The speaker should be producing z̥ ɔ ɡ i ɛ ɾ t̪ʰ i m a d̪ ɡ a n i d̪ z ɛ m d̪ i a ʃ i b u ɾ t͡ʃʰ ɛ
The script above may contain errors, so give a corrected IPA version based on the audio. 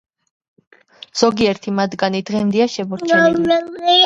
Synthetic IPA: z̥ ɔ ɡ i ɛ ɾ t̪ʰ i m a d̪ ɡ a n i d̪ ʁ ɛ m d̪ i a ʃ ɛ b ɔ ɾ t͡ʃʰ ɛ